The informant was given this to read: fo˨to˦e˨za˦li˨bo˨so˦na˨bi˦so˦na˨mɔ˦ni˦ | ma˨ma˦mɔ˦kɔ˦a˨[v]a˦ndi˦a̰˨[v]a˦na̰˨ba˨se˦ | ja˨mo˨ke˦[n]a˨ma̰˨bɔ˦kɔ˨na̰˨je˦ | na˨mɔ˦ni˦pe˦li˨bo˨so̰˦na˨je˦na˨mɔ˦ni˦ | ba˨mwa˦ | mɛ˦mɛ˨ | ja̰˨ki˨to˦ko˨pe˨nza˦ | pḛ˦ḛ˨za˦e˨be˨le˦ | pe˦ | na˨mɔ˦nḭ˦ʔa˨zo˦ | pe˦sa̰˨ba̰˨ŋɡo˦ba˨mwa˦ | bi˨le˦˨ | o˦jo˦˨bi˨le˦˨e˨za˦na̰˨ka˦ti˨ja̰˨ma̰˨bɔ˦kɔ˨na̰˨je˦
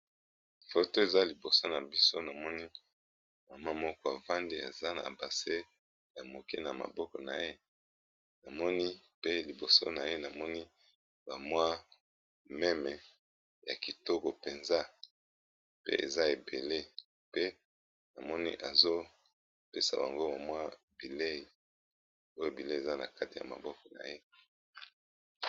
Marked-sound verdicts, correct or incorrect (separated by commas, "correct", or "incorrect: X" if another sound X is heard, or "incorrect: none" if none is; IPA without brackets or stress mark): correct, incorrect: z, correct